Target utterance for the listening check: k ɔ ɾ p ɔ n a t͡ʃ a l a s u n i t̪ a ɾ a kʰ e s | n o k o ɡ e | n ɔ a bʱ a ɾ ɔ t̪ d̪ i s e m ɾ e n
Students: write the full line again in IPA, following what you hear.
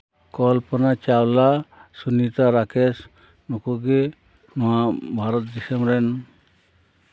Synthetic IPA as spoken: k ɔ l p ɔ n a t͡ʃ a l a s u n i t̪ a ɾ a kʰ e s | n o k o ɡ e | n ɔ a bʱ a ɾ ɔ t̪ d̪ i s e m ɾ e n